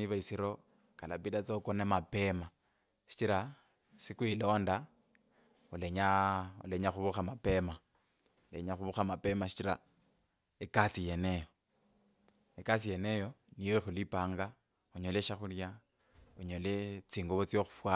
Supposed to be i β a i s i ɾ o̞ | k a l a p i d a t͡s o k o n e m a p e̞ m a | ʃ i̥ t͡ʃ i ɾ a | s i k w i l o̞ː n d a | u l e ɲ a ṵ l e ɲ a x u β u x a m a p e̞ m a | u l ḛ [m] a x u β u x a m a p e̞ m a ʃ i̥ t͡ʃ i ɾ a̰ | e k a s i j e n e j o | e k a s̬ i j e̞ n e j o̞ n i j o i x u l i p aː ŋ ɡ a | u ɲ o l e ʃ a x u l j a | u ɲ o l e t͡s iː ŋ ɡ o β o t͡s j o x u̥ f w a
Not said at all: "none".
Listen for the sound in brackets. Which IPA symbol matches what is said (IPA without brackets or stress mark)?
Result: ɲ